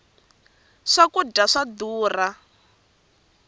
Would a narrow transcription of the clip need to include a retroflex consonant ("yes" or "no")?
yes